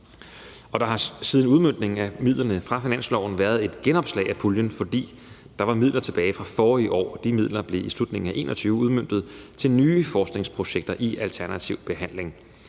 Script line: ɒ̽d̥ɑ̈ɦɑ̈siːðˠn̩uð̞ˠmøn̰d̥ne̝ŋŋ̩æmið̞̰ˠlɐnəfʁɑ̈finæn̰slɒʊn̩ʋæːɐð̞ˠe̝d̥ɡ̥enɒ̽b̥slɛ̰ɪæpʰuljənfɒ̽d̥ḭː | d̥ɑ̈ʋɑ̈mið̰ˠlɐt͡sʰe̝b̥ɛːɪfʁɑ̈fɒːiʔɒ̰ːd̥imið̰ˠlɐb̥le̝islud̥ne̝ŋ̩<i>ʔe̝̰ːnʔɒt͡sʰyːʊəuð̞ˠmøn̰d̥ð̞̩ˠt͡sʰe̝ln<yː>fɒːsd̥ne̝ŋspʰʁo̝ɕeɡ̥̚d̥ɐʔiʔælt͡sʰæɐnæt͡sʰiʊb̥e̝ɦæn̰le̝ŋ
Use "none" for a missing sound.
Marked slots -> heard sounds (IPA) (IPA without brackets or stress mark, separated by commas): æ, yː